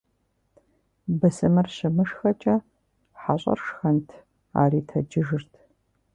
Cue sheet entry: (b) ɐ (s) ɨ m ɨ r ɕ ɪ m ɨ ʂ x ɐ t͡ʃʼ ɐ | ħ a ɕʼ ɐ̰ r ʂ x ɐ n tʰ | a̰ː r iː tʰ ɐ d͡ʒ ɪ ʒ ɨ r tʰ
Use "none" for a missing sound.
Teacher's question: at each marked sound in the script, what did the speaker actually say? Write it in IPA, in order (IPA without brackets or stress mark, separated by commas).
b, s